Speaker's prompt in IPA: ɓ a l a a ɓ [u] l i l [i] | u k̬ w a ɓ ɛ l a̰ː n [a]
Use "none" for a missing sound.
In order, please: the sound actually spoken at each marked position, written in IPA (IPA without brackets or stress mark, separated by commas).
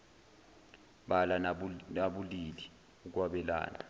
u, i, a